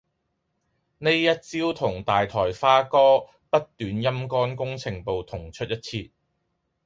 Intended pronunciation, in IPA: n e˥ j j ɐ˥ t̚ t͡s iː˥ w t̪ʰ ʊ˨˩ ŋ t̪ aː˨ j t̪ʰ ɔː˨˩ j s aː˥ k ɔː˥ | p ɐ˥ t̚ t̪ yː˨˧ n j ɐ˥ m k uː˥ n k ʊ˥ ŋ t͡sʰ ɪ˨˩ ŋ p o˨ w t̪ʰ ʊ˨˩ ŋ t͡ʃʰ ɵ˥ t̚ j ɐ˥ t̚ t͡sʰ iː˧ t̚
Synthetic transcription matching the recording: n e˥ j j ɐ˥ t̚ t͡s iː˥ w t̪ʰ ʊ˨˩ ŋ t̪ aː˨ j t̪ʰ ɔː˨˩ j f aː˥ k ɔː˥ | p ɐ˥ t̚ t̪ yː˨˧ n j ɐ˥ m k ɔː˥ n k ʊ˥ ŋ t͡sʰ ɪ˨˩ ŋ p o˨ w t̪ʰ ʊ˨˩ ŋ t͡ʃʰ ɵ˥ t̚ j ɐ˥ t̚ t͡sʰ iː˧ t̚